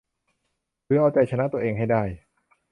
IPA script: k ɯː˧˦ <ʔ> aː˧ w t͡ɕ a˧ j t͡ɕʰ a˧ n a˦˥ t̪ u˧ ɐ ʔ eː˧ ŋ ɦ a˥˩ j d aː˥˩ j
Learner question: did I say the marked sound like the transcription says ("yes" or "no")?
yes